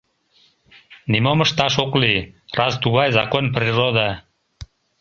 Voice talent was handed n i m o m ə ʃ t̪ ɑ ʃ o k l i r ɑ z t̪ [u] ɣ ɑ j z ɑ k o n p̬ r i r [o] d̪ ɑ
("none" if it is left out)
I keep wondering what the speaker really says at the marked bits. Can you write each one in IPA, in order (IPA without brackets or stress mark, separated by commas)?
u, o